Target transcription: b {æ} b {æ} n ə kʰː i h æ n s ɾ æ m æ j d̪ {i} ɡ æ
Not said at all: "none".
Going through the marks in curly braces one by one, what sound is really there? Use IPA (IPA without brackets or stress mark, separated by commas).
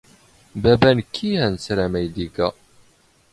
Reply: æ, æ, i